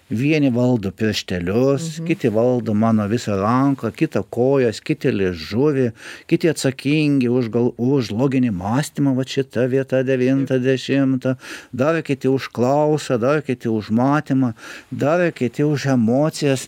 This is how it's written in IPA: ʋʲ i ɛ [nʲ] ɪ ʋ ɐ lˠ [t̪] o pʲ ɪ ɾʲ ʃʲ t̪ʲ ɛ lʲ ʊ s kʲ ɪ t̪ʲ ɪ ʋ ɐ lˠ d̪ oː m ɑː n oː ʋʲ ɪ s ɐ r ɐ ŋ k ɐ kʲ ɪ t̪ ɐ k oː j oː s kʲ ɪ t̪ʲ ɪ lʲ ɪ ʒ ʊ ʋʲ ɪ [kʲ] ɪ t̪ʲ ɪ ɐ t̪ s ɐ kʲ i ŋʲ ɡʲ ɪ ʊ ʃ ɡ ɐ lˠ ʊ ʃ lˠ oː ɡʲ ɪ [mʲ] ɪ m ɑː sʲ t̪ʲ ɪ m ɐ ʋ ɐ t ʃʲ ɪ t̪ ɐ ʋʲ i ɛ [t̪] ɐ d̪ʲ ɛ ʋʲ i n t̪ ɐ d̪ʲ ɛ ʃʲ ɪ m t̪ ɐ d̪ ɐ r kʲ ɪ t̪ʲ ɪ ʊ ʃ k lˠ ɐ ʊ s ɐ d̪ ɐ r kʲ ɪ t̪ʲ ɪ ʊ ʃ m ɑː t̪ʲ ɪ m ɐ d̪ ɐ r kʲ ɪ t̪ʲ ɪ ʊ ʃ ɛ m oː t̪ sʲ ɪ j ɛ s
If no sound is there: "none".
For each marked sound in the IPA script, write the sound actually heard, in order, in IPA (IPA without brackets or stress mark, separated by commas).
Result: nʲ, d̪, kʲ, nʲ, t̪